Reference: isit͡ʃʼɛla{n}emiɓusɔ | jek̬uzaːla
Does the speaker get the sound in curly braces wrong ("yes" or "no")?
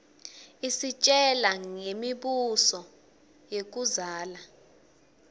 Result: yes